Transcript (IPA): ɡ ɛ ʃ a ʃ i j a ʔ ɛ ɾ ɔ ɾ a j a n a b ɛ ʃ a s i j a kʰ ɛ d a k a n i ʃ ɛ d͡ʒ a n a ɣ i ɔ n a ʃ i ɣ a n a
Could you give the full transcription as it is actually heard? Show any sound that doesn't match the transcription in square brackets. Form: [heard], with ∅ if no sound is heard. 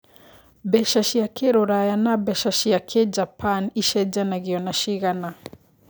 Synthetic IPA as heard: [b] ɛ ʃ a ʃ i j a [k] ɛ ɾ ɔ ɾ a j a n a b ɛ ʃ a [ʃ] i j a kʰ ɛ [d͡ʒ] a [p] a n i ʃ ɛ d͡ʒ a n a ɣ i ɔ n a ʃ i ɣ a n a